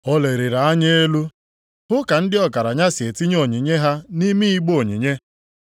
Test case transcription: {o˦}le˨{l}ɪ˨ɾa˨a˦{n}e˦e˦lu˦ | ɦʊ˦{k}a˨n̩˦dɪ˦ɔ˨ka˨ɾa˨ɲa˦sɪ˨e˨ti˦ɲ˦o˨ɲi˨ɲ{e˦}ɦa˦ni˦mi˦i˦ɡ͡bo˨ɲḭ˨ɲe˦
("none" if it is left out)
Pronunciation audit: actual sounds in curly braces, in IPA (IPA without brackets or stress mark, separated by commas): ɔ˦, ɾ, ɲ, k, e˦